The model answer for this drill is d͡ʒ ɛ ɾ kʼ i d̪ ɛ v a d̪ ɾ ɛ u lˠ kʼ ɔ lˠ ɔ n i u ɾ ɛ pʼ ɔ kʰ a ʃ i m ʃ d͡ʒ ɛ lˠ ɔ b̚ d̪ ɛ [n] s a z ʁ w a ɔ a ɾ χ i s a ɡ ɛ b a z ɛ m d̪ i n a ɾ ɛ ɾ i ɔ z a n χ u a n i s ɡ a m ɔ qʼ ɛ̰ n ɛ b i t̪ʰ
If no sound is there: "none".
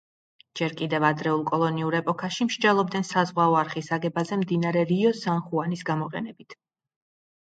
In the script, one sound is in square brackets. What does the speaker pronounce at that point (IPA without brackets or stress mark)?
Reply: n